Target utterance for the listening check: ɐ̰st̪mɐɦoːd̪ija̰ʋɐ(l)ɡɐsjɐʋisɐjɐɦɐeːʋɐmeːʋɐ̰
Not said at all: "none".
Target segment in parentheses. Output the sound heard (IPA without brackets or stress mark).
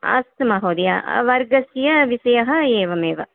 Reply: ɾ